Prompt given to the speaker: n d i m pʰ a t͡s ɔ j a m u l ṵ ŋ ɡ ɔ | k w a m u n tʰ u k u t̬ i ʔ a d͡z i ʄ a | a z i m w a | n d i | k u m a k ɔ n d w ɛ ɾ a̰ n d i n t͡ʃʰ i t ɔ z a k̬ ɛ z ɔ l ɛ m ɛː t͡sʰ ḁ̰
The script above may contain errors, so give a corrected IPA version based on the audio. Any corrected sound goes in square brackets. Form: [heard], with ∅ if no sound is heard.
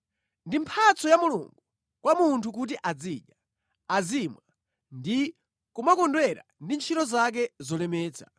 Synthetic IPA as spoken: n d i m pʰ a t͡s ɔ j a m u l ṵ ŋ ɡ [u] | k w a m u n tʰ u k u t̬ i ʔ a d͡z i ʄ a | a z i m w a | n d i | k u m a k ɔ n d w ɛ ɾ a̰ n d i n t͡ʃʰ i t ɔ z a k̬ ɛ z ɔ l ɛ m ɛː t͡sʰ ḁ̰